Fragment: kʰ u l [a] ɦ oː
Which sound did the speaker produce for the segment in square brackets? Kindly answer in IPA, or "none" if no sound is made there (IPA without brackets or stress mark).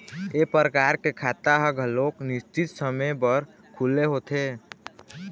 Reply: e